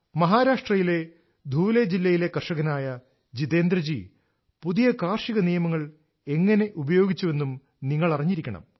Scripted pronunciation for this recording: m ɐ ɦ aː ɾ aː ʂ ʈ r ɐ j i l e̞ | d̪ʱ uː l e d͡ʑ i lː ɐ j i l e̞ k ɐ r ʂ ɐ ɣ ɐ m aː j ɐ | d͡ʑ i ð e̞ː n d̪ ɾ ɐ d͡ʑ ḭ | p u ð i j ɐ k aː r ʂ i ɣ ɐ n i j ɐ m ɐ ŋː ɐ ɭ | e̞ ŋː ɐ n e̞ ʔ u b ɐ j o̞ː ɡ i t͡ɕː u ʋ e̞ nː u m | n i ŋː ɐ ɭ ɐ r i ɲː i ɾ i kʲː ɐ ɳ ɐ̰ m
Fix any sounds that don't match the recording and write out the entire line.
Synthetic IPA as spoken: m ɐ ɦ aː ɾ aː ʂ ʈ r ɐ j i l e̞ | d̪ʱ uː l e d͡ʑ i lː ɐ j i l e̞ k ɐ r ʂ ɐ ɣ ɐ n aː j ɐ | d͡ʑ i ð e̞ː n d̪ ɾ ɐ d͡ʑ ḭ | p u ð i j ɐ k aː r ʂ i ɣ ɐ n i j ɐ m ɐ ŋː ɐ ɭ | e̞ ŋː ɐ n e̞ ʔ u b ɐ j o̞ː ɡ i t͡ɕː u ʋ e̞ nː u m | n i ŋː ɐ ɭ ɐ r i ɲː i ɾ i kʲː ɐ ɳ ɐ̰ m

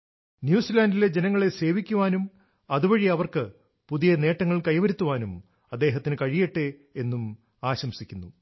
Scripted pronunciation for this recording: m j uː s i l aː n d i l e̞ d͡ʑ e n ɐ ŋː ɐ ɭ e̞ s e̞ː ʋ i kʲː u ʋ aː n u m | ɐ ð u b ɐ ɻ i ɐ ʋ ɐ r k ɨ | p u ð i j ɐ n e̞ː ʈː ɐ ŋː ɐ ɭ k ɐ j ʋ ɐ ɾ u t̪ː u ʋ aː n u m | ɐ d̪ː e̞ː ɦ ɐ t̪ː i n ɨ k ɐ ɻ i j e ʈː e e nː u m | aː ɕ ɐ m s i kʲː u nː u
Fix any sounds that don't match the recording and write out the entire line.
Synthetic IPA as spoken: n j uː s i l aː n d i l e̞ d͡ʑ e n ɐ ŋː ɐ ɭ e̞ s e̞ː ʋ i kʲː u ʋ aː n u m | ɐ ð u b ɐ ɻ i ɐ ʋ ɐ r k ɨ | p u ð i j ɐ n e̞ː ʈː ɐ ŋː ɐ ɭ k ɐ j ʋ ɐ ɾ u t̪ː u ʋ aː n u m | ɐ d̪ː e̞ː ɦ ɐ t̪ː i n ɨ k ɐ ɻ i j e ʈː e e nː u m | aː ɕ ɐ m s i kʲː u nː u

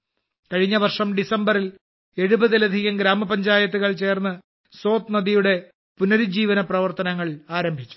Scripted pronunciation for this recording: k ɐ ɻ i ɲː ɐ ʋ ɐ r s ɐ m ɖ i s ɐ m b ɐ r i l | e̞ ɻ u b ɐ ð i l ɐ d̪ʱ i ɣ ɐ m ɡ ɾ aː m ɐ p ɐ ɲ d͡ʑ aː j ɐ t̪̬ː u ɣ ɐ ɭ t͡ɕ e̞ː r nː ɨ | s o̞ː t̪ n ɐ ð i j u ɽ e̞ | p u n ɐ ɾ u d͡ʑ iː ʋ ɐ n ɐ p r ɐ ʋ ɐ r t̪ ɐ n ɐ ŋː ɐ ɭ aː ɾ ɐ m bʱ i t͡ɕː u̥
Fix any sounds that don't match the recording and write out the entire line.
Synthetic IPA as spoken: k ɐ ɻ i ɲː ɐ ʋ ɐ r ʂ ɐ m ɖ i s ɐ m b ɐ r i l | e̞ ɻ u b ɐ ð i l ɐ d̪ʱ i ɣ ɐ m ɡ ɾ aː m ɐ p ɐ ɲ d͡ʑ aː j ɐ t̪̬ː u ɣ ɐ ɭ t͡ɕ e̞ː r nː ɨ | s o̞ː t̪ n ɐ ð i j u ɽ e̞ | p u n ɐ ɾ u d͡ʑ iː ʋ ɐ n ɐ p r ɐ ʋ ɐ r t̪ ɐ n ɐ ŋː ɐ ɭ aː ɾ ɐ m bʱ i t͡ɕː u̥

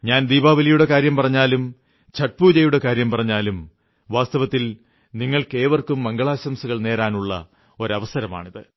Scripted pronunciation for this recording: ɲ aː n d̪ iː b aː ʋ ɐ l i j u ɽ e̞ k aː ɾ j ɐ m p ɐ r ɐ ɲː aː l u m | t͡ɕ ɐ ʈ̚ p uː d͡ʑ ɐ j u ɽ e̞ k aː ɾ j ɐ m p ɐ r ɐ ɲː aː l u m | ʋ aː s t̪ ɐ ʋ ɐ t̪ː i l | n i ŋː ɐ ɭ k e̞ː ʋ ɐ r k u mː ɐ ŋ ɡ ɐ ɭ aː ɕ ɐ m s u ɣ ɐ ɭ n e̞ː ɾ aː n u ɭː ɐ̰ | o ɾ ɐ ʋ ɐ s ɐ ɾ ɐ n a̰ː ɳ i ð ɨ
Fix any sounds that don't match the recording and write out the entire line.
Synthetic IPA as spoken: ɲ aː n d̪ iː b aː ʋ ɐ l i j u ɽ e̞ k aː ɾ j ɐ m p ɐ r ɐ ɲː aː l u m | t͡ɕ ɐ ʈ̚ p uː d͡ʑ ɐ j u ɽ e̞ k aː ɾ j ɐ m p ɐ r ɐ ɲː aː l u m | ʋ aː s t̪ ɐ ʋ ɐ t̪ː i l | n i ŋː ɐ ɭ k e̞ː ʋ ɐ r k u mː ɐ ŋ ɡ ɐ ɭ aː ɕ ɐ m s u ɣ ɐ ɭ n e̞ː ɾ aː n u ɭː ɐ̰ | o ɾ ɐ ʋ ɐ s ɐ ɾ ɐ m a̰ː ɳ i ð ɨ

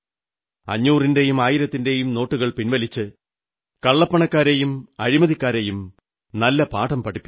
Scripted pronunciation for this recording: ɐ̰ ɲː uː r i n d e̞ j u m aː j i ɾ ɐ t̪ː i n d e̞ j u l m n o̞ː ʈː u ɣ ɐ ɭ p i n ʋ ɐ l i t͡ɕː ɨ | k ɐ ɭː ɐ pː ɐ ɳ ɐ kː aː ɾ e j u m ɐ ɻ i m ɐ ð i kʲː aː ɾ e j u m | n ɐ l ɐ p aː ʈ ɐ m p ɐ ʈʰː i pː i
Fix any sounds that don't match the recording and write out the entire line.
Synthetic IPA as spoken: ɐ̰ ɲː uː r i n d e̞ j u m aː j i ɾ ɐ t̪ː i n d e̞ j u m n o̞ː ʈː u ɣ ɐ ɭ p i n ʋ ɐ l i t͡ɕː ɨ | k ɐ ɭː ɐ pː ɐ ɳ ɐ kː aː ɾ e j u m ɐ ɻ i m ɐ ð i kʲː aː ɾ e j u m | n ɐ lː ɐ p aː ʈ ɐ m p ɐ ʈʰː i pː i

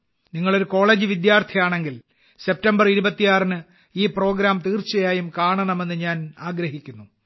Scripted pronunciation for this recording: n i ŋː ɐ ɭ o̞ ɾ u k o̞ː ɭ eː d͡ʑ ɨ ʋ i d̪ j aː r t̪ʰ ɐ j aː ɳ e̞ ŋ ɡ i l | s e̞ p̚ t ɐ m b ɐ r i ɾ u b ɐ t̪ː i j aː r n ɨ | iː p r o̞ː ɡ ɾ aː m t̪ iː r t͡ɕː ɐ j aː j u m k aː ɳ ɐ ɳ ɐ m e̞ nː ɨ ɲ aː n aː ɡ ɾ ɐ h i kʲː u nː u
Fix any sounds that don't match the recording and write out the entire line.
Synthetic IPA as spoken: n i ŋː ɐ ɭ o̞ ɾ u k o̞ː ɭ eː d͡ʑ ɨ ʋ i d̪ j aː r t̪ʰ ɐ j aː ɳ e̞ ŋ ɡ i l | s e̞ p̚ t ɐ m b ɐ r i ɾ u b ɐ t̪ː i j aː r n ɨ | iː p r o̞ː ɡ ɾ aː m t̪ iː r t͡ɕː ɐ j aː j u m k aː ɳ ɐ ɳ ɐ m e̞ nː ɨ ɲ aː n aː ɡ ɾ ɐ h i kʲː u nː u

